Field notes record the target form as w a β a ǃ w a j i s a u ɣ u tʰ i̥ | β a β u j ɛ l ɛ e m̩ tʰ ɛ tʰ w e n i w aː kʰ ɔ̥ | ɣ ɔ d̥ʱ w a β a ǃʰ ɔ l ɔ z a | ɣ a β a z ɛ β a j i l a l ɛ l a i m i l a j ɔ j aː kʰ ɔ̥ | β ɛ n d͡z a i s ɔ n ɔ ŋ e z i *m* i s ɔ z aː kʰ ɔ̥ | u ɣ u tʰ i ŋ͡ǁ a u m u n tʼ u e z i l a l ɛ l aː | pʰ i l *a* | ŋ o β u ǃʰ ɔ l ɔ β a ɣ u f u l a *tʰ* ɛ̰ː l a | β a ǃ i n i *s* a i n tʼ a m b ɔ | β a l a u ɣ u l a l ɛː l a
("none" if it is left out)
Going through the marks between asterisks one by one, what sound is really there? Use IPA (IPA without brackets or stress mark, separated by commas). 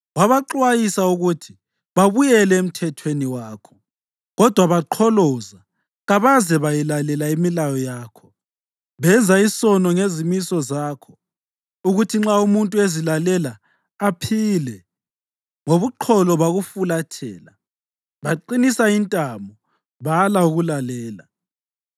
m, ɛ, tʰ, s